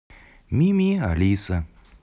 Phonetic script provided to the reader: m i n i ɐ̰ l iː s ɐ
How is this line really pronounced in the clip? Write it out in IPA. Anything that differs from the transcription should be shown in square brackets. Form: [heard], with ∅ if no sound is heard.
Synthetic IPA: m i [m] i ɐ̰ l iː s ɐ

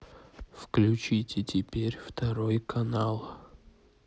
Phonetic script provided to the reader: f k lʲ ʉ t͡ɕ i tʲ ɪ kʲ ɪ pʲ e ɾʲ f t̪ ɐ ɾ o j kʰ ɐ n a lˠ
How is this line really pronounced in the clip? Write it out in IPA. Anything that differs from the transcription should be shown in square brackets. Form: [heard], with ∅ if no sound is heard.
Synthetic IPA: f k lʲ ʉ t͡ɕ i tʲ ɪ [tʲ] ɪ pʲ e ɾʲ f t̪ ɐ ɾ o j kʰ ɐ n a lˠ

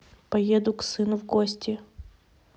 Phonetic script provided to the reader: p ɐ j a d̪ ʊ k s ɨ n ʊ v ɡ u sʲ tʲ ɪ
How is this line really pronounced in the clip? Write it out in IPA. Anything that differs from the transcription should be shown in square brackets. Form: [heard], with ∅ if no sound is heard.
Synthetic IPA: p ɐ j [e] d̪ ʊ k s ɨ n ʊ v ɡ [o] sʲ tʲ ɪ

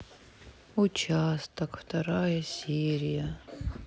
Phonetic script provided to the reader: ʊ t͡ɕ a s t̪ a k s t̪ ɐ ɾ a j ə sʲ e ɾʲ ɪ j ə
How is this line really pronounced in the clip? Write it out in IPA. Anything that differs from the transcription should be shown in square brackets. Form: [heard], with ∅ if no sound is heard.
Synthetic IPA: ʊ t͡ɕ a s t̪ [ə] k [f] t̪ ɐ ɾ a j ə sʲ e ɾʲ ɪ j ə

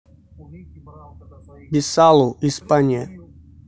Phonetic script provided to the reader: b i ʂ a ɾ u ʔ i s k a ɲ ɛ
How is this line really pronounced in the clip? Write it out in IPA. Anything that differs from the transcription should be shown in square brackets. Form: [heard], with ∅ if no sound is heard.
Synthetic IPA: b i [s] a [l] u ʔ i s [p] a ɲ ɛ

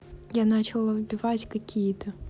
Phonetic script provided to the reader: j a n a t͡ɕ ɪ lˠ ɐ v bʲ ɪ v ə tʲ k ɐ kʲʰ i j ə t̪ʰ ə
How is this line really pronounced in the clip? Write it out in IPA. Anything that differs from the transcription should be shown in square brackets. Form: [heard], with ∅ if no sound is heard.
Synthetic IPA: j a n a t͡ɕ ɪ lˠ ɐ v bʲ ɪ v [a] tʲ k ɐ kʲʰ i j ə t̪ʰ ə

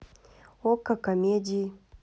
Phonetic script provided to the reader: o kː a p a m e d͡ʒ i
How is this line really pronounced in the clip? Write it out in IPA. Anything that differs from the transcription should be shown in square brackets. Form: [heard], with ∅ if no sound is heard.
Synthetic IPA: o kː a [k] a m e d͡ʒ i

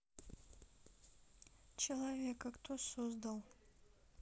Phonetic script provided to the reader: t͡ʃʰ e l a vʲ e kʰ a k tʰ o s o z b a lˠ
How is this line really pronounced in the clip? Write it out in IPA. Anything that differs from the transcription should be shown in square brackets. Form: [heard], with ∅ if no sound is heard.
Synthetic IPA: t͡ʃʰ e l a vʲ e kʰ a k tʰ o s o z [d] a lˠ

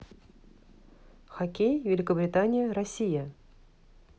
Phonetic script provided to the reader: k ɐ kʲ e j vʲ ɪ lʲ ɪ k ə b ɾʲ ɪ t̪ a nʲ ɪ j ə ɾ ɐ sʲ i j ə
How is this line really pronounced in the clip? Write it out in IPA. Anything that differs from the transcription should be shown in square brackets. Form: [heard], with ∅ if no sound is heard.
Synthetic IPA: [x] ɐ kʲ e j vʲ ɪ lʲ ɪ k ə b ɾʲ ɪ t̪ a nʲ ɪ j ə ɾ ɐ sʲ i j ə

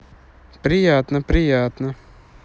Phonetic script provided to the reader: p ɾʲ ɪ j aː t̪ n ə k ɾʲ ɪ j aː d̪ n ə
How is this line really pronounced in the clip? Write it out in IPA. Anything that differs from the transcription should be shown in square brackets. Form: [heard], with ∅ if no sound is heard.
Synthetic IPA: p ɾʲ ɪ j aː t̪ n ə [p] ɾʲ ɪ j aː [t̪] n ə

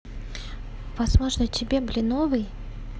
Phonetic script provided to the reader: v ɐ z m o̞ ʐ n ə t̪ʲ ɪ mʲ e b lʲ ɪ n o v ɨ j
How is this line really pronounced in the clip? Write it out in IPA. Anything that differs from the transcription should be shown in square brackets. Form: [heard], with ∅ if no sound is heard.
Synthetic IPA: v ɐ z m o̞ ʐ n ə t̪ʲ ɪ [bʲ] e b lʲ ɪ n o v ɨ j

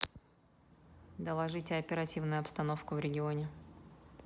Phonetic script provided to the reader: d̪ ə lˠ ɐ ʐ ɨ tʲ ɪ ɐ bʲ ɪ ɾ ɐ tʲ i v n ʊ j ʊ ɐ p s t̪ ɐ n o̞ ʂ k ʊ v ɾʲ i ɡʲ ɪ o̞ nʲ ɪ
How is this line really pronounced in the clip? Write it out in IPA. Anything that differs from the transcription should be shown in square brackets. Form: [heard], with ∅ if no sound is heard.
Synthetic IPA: d̪ ə lˠ ɐ ʐ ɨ tʲ ɪ ɐ [pʲ] ɪ ɾ ɐ tʲ i v n ʊ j ʊ ɐ p s t̪ ɐ n o̞ [f] k ʊ v ɾʲ [ɪ] ɡʲ ɪ o̞ nʲ ɪ

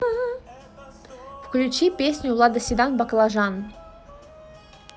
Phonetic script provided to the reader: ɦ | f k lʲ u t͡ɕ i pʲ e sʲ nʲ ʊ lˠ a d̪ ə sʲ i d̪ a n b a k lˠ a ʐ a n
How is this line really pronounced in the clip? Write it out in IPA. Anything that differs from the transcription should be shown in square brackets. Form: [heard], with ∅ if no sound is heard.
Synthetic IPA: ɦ | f k lʲ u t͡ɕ i pʲ e sʲ nʲ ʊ lˠ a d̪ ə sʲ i d̪ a n b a k lˠ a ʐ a n

